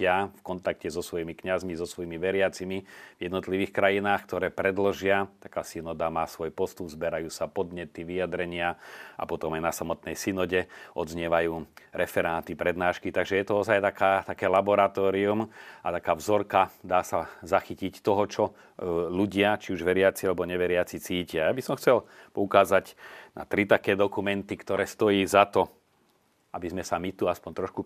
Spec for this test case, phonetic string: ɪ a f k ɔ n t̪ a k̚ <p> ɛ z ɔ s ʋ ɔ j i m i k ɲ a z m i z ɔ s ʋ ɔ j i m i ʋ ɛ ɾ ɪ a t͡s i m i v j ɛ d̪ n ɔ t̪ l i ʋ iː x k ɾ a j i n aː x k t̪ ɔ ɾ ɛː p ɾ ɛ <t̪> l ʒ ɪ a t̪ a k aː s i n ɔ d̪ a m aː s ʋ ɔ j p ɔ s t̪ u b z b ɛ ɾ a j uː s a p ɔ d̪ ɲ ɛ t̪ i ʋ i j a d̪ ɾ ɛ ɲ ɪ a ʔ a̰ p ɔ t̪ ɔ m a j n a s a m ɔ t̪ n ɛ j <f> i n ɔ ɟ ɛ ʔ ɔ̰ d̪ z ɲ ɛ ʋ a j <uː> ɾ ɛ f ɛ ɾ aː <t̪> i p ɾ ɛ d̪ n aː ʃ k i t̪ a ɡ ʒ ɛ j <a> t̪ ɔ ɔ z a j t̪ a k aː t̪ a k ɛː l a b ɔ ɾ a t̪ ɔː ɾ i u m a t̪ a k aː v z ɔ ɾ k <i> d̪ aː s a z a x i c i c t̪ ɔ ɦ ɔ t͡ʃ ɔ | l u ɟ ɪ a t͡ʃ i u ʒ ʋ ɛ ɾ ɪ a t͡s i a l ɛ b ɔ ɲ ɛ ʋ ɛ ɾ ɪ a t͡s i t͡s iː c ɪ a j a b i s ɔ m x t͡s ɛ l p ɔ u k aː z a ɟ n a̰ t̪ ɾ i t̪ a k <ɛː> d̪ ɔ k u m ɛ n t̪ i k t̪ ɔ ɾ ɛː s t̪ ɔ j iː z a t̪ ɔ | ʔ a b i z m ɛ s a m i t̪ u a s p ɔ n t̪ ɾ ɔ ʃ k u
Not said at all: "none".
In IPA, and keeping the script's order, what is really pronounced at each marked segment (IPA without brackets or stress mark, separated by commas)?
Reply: c, d̪, s, uː, t̪, ɛ, a, ɛː